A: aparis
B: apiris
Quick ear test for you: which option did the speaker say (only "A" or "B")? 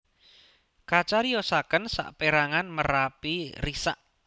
B